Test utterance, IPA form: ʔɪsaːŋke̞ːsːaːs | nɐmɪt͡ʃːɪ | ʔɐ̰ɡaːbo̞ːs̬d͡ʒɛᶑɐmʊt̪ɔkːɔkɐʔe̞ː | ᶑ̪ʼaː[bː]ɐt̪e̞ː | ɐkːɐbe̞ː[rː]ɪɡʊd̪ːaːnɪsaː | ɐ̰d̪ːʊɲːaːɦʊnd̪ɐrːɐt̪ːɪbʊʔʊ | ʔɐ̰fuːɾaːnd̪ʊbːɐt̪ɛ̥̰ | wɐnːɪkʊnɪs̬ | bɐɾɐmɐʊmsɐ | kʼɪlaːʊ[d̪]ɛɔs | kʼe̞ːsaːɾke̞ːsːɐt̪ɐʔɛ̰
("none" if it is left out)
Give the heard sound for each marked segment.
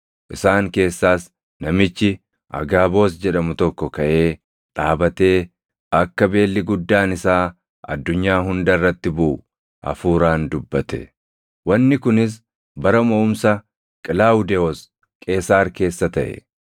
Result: b, lː, d̪

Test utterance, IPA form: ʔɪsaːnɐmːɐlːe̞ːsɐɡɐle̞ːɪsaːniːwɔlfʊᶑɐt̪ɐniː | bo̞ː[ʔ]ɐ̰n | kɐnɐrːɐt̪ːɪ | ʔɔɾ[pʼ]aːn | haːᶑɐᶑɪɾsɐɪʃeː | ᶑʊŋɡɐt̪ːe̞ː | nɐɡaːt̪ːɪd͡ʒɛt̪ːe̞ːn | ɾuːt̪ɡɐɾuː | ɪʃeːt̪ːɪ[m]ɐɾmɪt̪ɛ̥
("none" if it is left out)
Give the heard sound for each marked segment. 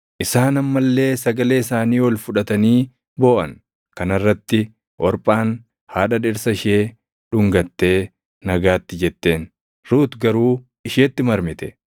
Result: ʔ, pʼ, m

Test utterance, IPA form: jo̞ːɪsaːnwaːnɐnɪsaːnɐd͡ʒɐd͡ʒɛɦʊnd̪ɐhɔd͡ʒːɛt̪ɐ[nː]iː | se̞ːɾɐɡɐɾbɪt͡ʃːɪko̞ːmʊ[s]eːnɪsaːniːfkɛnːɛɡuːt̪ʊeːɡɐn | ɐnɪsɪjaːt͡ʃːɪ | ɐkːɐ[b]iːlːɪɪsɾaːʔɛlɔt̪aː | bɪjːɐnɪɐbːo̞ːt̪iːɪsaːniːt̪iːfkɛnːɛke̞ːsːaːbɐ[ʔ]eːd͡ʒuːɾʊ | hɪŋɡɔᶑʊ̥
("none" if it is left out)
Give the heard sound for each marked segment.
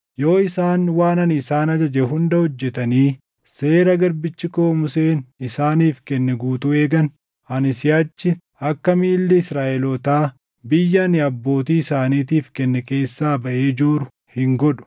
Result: n, s, m, ʔ

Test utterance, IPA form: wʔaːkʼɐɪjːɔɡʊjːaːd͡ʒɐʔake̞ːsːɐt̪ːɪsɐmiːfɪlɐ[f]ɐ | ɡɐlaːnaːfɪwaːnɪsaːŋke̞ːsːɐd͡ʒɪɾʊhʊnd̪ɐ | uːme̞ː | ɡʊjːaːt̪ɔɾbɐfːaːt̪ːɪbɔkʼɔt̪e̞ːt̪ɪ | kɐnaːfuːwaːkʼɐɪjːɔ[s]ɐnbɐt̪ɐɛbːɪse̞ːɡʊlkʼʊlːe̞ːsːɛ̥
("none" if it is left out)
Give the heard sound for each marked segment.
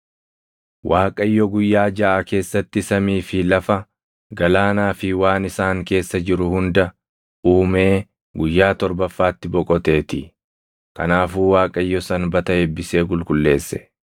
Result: f, s

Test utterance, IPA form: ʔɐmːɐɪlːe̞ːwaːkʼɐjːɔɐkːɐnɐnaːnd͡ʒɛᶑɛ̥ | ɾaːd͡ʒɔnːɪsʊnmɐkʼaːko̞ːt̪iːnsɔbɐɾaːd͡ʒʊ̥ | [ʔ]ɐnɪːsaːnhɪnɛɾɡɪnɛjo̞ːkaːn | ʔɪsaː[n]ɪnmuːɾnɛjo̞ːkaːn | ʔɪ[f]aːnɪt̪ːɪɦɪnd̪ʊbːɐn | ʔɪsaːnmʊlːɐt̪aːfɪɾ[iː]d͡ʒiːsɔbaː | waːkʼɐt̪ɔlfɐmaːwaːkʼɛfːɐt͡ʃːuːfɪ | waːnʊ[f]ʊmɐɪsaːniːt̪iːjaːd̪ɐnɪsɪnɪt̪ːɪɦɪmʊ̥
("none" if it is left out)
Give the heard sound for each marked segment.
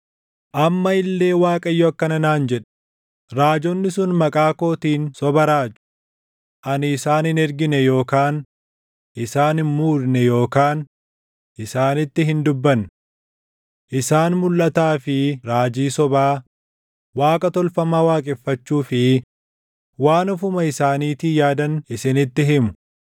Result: ʔ, n, s, aː, f

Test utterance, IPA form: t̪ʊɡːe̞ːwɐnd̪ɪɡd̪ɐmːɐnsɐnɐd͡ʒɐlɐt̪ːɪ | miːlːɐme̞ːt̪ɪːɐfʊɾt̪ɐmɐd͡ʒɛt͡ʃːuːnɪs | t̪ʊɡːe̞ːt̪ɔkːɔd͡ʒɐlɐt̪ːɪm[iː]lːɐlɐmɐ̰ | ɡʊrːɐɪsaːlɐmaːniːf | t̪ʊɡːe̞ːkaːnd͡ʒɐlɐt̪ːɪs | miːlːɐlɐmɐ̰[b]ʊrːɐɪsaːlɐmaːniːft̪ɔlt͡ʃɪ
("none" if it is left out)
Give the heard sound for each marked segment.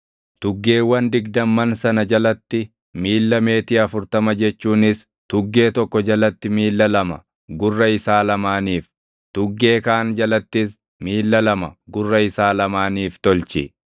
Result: iː, ɡ

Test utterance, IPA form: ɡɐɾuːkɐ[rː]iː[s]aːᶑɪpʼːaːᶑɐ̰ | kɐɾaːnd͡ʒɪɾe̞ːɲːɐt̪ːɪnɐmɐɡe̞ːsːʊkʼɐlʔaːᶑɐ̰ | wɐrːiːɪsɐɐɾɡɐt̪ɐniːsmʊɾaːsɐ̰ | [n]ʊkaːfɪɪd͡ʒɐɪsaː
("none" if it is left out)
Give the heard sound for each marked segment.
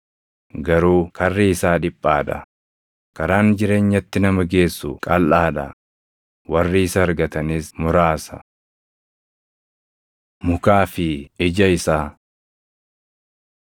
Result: rː, s, m

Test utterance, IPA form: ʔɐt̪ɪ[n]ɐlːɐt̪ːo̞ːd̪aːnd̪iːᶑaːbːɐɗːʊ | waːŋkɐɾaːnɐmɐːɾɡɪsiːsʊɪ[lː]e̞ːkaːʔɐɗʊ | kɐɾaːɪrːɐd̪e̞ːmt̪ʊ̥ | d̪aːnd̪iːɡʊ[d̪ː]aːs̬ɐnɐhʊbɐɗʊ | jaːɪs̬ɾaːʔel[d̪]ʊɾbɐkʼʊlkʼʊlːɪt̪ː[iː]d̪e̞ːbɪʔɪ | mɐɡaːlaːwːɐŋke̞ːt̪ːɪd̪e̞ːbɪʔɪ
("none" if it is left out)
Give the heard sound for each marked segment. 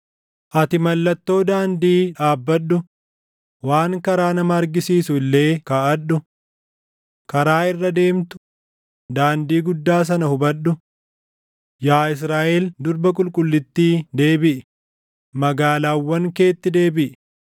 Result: m, lː, d̪ː, d̪, iː

